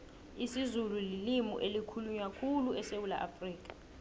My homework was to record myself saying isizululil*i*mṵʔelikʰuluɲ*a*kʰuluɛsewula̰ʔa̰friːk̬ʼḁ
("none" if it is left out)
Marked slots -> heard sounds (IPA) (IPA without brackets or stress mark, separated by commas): i, a